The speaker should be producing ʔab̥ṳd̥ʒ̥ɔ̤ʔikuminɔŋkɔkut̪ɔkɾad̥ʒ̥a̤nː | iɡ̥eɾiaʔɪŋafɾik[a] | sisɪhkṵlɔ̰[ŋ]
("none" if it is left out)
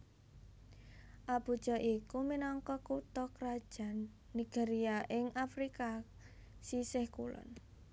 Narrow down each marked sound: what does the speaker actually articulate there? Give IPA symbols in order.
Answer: a, n

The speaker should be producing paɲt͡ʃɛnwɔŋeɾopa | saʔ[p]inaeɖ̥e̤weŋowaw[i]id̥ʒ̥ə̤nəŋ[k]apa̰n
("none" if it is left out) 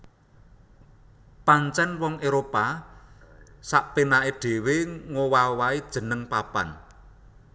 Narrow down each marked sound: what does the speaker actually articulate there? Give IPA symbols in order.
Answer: p, a, p

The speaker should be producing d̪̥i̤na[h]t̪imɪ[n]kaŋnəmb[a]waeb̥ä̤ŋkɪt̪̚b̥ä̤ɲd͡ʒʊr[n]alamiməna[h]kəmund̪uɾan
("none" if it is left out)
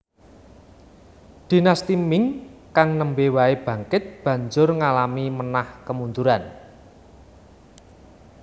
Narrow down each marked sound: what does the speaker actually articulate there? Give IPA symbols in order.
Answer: s, ŋ, e, ŋ, h

